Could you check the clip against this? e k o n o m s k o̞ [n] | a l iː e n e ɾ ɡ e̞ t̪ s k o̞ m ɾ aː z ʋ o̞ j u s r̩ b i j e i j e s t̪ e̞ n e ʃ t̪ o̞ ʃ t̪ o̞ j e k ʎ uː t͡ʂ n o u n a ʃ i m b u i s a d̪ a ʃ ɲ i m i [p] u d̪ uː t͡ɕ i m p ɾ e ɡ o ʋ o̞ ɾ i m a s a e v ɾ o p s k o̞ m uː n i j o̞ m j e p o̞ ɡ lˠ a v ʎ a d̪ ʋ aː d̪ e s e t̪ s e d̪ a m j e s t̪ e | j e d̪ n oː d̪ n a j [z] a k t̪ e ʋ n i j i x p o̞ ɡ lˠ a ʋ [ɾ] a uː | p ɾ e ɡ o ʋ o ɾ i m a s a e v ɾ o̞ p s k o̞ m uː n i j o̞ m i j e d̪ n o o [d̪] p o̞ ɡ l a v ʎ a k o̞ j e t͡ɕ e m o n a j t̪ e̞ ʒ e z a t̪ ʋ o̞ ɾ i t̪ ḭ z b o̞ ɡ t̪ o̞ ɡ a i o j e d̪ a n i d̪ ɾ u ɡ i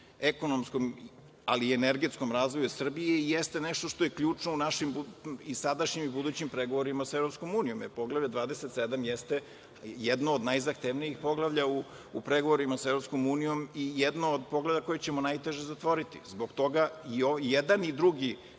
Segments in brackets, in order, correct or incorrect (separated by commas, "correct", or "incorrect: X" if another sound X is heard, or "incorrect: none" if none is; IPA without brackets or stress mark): incorrect: m, incorrect: b, correct, incorrect: ʎ, correct